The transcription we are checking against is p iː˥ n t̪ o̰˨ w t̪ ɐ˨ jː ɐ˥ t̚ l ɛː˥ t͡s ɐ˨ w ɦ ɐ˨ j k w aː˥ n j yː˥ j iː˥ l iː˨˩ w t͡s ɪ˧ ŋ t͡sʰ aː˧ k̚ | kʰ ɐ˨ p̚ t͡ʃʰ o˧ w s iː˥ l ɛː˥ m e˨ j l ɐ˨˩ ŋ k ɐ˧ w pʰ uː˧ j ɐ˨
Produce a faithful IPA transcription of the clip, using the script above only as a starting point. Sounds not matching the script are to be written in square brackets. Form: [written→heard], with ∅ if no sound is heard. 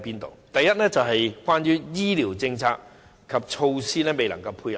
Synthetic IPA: p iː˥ n t̪ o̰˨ w t̪ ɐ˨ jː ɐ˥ t̚ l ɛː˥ t͡s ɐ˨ w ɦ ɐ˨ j k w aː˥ n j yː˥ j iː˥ l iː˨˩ w t͡s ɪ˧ ŋ t͡sʰ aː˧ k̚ | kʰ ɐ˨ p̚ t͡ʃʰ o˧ w s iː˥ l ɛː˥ m e˨ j l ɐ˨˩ ŋ k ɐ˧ w pʰ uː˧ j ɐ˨